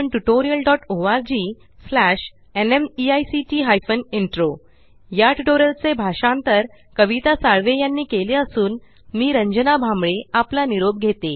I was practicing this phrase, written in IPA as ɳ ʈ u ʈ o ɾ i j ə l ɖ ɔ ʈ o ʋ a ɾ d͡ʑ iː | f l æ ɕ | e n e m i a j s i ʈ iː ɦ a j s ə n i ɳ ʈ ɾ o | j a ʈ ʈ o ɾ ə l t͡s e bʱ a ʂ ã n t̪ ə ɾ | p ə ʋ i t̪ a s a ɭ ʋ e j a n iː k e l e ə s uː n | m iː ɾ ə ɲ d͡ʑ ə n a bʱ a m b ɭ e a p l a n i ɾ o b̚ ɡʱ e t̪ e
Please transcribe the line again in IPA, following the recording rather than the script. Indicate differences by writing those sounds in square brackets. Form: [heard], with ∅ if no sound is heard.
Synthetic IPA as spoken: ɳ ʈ u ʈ o ɾ i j ə l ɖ ɔ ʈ o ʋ a ɾ d͡ʑ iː | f l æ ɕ | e n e m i a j s i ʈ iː ɦ a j [f] ə n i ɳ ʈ ɾ o | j a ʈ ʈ o ɾ ə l t͡s e bʱ a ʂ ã n t̪ ə ɾ | [k] ə ʋ i t̪ a s a ɭ ʋ e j a [nː] iː k e l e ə s uː n | m iː ɾ ə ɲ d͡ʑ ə n a bʱ a m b ɭ e a p l a n i ɾ o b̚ ɡʱ e t̪ e